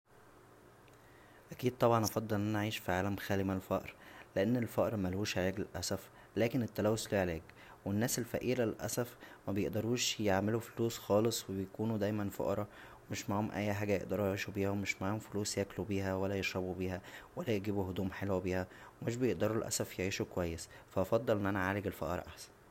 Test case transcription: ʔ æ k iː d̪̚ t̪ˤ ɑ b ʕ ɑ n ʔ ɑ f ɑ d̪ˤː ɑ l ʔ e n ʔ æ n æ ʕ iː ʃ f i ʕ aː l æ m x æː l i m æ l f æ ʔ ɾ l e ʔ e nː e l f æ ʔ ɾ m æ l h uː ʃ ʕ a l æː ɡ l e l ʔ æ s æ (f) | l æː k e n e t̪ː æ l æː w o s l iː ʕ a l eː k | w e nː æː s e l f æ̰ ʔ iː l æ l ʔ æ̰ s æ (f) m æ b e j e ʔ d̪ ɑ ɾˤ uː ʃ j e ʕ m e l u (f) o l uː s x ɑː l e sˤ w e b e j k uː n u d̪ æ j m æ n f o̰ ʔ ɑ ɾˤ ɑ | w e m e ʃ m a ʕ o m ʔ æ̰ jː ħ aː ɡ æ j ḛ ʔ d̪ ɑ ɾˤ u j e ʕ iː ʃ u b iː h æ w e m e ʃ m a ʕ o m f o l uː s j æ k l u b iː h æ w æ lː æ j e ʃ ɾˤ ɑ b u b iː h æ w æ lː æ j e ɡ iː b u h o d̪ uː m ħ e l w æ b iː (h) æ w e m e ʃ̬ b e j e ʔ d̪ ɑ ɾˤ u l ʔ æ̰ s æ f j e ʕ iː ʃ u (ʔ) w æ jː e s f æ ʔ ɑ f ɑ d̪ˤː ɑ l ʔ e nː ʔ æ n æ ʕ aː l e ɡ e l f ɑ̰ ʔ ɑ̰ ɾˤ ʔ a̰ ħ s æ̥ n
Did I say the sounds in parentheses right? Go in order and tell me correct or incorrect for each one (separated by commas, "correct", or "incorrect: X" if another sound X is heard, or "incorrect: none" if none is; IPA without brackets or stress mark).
correct, correct, correct, correct, incorrect: k